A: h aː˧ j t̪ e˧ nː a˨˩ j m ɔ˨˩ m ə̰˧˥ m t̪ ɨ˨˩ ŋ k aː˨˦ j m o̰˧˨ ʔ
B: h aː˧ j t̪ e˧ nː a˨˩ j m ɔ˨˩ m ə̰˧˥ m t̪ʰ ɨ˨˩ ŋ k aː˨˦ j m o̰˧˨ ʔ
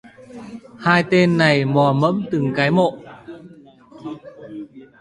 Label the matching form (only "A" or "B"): A